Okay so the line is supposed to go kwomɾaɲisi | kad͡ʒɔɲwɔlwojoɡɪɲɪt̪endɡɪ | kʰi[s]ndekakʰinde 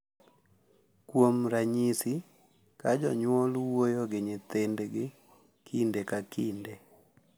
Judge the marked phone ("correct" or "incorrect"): incorrect